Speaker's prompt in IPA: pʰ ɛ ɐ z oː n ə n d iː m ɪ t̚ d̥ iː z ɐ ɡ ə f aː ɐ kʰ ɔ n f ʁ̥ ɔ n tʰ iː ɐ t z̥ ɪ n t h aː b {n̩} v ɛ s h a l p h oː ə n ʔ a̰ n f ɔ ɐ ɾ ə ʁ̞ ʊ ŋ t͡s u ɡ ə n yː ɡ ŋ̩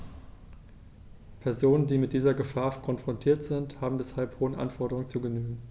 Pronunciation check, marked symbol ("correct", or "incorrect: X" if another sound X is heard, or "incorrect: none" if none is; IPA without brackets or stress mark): incorrect: m̩